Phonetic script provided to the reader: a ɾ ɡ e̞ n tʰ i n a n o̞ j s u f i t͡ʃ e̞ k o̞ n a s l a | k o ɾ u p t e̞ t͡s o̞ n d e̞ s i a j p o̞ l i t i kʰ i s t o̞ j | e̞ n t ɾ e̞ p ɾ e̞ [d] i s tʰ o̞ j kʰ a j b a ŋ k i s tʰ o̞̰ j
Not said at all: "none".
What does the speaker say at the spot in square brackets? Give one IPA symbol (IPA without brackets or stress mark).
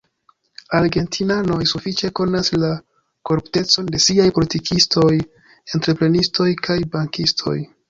n